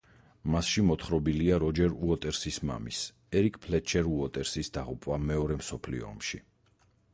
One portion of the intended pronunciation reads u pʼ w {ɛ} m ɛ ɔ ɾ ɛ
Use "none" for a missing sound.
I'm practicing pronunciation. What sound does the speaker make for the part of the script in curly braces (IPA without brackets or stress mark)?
a